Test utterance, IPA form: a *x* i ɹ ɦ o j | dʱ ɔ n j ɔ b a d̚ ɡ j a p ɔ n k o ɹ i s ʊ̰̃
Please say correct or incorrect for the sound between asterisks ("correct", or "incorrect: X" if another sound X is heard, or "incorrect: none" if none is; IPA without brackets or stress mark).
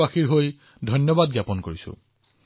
correct